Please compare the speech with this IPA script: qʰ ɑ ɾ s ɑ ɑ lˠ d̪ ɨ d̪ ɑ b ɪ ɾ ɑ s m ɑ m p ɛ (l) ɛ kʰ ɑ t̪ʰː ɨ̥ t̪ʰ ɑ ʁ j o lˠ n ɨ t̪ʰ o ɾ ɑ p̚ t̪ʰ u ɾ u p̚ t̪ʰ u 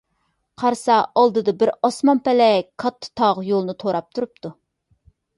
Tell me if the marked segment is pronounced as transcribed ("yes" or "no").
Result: yes